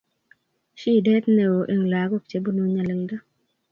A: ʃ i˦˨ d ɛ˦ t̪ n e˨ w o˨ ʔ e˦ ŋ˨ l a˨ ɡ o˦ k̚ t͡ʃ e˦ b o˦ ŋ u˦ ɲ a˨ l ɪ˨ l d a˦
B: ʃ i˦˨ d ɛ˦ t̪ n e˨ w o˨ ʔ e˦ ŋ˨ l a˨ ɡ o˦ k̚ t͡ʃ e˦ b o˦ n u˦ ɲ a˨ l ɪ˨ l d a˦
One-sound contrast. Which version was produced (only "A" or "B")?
B